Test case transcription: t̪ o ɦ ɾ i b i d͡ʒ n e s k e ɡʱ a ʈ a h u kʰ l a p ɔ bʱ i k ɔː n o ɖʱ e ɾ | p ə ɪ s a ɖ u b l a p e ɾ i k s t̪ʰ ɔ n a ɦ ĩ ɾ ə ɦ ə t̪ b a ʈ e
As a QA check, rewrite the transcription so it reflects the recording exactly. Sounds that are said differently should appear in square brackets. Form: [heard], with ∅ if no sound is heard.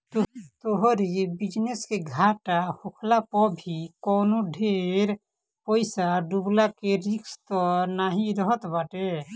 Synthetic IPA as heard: t̪ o ɦ ɾ i b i d͡ʒ n e s k e ɡʱ a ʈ a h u kʰ l a p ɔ bʱ i k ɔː n o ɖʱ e ɾ | p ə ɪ s a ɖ u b l a [k] e ɾ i k s [t̪] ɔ n a ɦ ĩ ɾ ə ɦ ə t̪ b a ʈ e